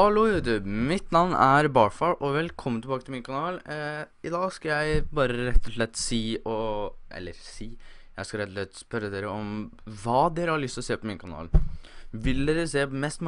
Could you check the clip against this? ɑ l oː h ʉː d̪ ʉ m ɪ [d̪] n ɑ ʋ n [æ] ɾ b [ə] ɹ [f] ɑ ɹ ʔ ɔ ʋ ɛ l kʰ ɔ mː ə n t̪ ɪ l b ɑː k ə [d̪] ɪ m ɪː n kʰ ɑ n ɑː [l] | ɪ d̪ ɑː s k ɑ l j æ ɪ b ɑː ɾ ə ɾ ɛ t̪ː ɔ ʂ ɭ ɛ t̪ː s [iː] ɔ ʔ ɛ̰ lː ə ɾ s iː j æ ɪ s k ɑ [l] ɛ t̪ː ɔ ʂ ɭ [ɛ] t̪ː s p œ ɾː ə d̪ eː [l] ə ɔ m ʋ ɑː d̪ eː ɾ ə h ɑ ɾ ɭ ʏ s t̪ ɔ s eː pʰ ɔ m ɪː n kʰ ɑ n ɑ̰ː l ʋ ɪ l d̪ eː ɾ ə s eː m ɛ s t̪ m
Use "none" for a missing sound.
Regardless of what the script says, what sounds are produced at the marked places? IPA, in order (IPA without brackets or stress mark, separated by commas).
t̪, æ, ɑ, f, t̪, l, iː, ɾ, ɛ, ɾ